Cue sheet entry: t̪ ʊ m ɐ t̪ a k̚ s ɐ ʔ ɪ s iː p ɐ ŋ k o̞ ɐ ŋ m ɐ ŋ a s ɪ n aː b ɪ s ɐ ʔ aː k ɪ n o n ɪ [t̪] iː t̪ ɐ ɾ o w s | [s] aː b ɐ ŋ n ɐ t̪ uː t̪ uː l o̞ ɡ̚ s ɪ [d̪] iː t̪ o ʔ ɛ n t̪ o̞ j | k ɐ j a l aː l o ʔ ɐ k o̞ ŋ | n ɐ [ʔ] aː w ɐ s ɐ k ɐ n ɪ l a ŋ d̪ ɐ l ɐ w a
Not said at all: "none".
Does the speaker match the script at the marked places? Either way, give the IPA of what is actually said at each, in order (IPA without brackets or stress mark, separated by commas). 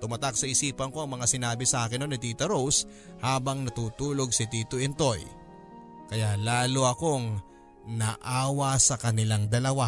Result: t̪, h, t̪, ʔ